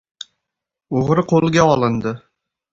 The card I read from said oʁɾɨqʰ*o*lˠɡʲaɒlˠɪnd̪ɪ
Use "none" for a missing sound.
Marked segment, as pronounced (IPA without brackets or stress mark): o